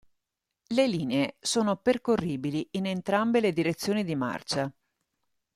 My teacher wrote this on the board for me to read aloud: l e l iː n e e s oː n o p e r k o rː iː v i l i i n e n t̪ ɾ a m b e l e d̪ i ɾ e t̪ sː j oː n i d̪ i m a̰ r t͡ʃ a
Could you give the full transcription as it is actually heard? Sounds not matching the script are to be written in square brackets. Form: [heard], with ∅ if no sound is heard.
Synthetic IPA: l e l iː n e e s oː n o p e r k o rː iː [b] i l i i n e n t̪ ɾ a m b e l e d̪ i ɾ e t̪ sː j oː n i d̪ i m a̰ r t͡ʃ a

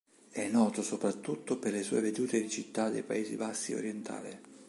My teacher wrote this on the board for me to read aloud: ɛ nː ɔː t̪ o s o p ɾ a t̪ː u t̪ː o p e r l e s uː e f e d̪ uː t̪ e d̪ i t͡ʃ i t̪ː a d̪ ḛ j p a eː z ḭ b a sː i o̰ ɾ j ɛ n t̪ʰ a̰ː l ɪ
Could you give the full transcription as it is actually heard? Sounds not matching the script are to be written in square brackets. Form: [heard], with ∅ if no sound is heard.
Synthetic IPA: ɛ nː ɔː t̪ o s o p ɾ a t̪ː u t̪ː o p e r l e s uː e [v] e d̪ uː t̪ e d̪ i t͡ʃ i t̪ː a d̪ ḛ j p a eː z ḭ b a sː i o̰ ɾ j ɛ n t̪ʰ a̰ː l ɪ

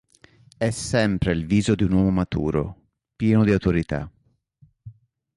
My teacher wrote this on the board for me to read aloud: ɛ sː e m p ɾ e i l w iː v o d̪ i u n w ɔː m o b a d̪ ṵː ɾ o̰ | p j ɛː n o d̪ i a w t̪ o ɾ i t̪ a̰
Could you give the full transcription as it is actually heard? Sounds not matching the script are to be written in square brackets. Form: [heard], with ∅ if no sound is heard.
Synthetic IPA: ɛ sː [ɛ] m p ɾ e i l [v] iː [z] o d̪ i u n w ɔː m o [m] a [t̪] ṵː ɾ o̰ | p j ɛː n o d̪ i a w t̪ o ɾ i t̪ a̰

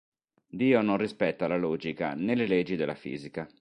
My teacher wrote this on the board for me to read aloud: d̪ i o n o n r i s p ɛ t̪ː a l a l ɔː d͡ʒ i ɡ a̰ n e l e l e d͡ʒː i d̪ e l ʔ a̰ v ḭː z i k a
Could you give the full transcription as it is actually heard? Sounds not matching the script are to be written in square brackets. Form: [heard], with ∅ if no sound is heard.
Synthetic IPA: d̪ [iː] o n o n r i s p ɛ t̪ː a l a l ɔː d͡ʒ i [k] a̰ n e l e l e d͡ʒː i d̪ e l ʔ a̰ [f] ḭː z i k a

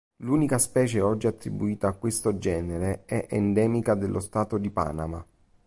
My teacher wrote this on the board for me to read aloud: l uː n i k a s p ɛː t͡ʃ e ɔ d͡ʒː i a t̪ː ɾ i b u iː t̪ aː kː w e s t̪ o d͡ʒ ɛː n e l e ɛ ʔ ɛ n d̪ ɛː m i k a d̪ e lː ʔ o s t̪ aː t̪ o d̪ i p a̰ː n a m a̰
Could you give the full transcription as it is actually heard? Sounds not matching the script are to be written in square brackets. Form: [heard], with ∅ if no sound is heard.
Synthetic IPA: l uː n i k a s p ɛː t͡ʃ e ɔ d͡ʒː i a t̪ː ɾ i b u iː t̪ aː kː w e s t̪ o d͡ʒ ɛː n e [ɾ] e ɛ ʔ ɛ n d̪ ɛː m i k a d̪ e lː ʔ o s t̪ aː t̪ o d̪ i p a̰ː n a m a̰

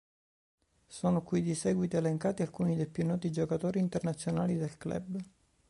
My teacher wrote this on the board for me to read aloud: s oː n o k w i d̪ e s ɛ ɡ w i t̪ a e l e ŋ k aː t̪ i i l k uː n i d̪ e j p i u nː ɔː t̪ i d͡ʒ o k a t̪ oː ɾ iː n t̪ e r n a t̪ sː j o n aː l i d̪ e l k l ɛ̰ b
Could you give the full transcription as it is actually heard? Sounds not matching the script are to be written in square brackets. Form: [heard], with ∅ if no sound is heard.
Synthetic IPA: s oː n o k w i d̪ [i] s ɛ ɡ w i t̪ [i] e l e ŋ k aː t̪ i [a] l k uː n i d̪ e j p [j] u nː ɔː t̪ i d͡ʒ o k a t̪ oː ɾ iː n t̪ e r n a t̪ sː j o n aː l i d̪ e l k l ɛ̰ b

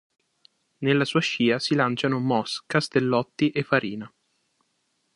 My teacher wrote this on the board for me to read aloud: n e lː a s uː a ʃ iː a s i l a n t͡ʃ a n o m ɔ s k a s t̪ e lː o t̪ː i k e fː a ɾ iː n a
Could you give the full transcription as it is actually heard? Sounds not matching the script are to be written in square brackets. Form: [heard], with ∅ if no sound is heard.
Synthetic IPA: n e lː a s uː a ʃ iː a s i l a n t͡ʃ a n o m ɔ s k a s t̪ e lː [ɔ] t̪ː i [ʔ] e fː a ɾ iː n a

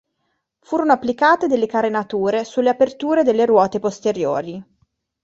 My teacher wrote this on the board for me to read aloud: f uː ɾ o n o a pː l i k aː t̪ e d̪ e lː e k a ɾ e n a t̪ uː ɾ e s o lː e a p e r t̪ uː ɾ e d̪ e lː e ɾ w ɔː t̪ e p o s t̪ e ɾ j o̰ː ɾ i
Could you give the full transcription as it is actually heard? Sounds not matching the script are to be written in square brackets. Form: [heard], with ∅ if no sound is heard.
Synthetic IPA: f uː ɾ o n o a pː l i k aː t̪ e d̪ e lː e k a ɾ e n a t̪ uː ɾ e s [u] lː e a p e r t̪ uː ɾ e d̪ e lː e ɾ w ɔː t̪ e p o s t̪ e ɾ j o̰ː ɾ i

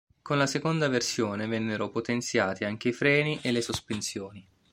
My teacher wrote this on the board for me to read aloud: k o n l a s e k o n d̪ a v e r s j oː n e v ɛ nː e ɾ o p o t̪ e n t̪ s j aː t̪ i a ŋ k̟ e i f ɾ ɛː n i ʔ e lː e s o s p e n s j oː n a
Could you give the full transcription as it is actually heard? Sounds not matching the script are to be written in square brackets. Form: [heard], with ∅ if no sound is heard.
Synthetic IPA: k o n l a s e k o n d̪ a v e r s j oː n e v ɛ nː e ɾ o p o t̪ e n t̪ s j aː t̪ i a ŋ k̟ e i f ɾ ɛː n i ʔ e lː e s o s p e n s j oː n [i]

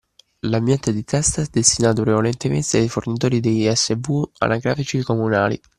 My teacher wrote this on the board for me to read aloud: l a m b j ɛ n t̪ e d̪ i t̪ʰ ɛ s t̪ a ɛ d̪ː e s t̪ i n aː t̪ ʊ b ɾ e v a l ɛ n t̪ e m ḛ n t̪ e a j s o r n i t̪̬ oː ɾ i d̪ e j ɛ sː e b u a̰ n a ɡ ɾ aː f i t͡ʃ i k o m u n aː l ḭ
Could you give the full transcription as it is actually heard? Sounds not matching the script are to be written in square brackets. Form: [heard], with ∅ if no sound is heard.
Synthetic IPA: l a m b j ɛ n t̪ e d̪ i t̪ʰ ɛ s t̪ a ɛ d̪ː e s t̪ i n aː t̪ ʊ [p] ɾ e v a l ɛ n t̪ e m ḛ n t̪ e a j [f] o r n i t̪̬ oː ɾ i d̪ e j ɛ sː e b u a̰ n a ɡ ɾ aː f i t͡ʃ i k o m u n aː l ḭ

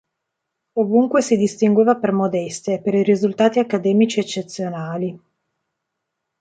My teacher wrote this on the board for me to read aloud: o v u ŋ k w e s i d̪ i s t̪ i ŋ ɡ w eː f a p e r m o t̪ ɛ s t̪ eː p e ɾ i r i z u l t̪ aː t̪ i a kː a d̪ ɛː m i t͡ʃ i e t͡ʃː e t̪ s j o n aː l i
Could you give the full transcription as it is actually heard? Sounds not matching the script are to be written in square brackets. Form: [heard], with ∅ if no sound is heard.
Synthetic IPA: o v u ŋ k w e s i d̪ i s t̪ i ŋ ɡ w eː [v] a p e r m o [d̪] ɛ s t̪ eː p e ɾ i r i z u l t̪ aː t̪ i a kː a d̪ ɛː m i t͡ʃ i e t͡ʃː e t̪ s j o n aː l i

